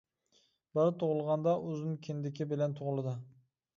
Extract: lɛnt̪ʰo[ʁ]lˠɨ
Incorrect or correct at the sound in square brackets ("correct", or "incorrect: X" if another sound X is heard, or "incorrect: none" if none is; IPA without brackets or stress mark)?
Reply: correct